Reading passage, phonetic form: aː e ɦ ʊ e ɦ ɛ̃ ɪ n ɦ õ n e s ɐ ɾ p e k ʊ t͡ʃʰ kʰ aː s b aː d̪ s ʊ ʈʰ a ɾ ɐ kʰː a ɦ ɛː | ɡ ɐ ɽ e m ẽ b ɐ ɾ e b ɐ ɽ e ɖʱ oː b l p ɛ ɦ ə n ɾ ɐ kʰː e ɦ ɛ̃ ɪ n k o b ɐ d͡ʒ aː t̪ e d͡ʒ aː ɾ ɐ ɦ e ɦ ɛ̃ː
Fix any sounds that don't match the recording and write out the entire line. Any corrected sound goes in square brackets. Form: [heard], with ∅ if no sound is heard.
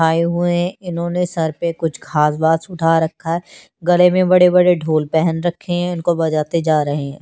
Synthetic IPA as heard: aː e ɦ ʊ e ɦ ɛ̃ ɪ n ɦ õ n e s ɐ ɾ p e k ʊ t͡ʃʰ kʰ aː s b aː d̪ s ʊ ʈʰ a ɾ ɐ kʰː a ɦ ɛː | ɡ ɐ [l] e m ẽ b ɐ [ɽ] e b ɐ ɽ e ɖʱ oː [∅] l p ɛ ɦ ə n ɾ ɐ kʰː e ɦ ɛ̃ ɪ n k o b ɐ d͡ʒ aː t̪ e d͡ʒ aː ɾ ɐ ɦ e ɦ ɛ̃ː

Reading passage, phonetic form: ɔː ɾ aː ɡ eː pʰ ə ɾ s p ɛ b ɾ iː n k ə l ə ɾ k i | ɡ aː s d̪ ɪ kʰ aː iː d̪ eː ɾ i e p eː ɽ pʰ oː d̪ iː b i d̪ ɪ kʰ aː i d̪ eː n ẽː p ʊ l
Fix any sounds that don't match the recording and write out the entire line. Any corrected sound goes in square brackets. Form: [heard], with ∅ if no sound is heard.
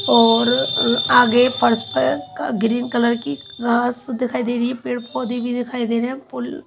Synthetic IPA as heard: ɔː ɾ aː ɡ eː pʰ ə ɾ s p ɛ [ɡ] ɾ iː n k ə l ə ɾ k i | ɡ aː s d̪ ɪ kʰ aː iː d̪ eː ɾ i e p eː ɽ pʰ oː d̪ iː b i d̪ ɪ kʰ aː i d̪ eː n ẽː p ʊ l

